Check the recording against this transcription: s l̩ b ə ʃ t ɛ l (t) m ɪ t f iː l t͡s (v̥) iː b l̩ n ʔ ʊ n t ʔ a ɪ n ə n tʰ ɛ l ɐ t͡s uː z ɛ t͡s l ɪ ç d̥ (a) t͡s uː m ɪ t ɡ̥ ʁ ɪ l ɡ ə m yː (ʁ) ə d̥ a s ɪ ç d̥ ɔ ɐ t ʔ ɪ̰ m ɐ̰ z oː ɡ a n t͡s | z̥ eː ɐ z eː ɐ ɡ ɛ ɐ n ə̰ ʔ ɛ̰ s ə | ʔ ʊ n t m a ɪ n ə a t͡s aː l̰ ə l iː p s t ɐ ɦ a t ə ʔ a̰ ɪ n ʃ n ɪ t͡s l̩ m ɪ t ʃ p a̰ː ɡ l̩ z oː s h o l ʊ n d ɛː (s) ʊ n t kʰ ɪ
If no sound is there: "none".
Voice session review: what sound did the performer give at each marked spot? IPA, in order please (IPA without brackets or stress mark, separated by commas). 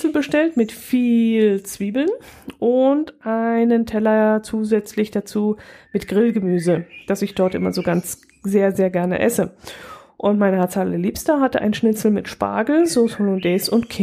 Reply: t, v̥, a, z, s